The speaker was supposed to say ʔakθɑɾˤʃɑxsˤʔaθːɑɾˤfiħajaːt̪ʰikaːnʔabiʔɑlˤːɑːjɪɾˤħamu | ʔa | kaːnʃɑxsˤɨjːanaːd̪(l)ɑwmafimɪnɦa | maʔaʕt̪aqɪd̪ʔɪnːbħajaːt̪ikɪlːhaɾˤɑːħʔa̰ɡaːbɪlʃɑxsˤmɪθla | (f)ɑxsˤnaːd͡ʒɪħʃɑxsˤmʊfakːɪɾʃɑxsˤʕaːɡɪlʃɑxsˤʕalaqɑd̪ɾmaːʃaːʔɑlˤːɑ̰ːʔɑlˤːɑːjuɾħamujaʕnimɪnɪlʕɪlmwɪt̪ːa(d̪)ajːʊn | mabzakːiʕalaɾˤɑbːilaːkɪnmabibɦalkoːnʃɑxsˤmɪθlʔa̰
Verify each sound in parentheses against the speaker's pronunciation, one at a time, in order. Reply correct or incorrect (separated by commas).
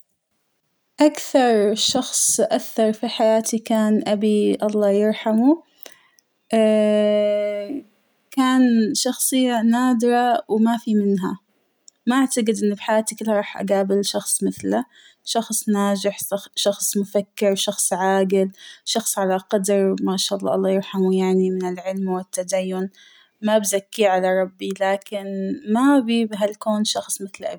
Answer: incorrect, incorrect, correct